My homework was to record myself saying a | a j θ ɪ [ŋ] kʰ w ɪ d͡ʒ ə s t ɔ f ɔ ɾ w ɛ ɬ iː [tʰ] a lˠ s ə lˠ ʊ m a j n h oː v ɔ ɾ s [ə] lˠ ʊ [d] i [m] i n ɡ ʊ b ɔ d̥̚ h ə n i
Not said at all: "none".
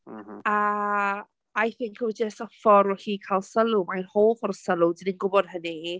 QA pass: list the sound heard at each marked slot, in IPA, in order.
ŋ, kʰ, ə, d, n

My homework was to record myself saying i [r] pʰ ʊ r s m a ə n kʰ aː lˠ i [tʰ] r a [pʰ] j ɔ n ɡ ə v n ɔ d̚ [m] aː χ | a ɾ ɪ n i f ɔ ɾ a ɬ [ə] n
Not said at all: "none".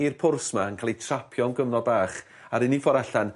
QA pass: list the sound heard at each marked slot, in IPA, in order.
r, tʰ, pʰ, b, a

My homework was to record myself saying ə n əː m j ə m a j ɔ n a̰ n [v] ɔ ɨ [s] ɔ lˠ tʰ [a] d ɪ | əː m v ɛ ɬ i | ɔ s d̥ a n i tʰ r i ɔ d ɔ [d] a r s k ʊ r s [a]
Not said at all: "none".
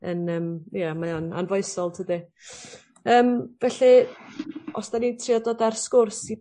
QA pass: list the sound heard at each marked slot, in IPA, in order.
v, s, ə, d, i

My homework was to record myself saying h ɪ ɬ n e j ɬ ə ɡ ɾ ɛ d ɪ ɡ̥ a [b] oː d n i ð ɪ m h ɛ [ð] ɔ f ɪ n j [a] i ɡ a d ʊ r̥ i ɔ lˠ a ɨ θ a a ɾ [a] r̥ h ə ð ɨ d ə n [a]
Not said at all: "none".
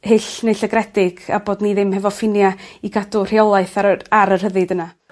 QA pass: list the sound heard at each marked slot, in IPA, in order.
b, v, a, ə, a

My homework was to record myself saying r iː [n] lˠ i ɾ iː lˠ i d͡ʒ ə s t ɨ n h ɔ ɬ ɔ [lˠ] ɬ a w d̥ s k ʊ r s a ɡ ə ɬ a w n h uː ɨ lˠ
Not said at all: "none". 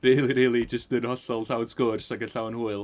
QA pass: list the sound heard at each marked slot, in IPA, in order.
none, lˠ

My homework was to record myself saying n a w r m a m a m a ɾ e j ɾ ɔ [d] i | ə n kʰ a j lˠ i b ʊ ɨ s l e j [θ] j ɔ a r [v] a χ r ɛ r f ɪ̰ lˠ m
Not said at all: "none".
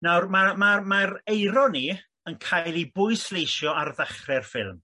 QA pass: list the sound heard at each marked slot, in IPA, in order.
n, ʃ, ð

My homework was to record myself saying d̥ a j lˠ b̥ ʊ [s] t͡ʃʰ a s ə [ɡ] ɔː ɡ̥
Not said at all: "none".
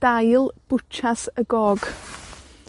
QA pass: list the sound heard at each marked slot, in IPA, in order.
none, ɡ

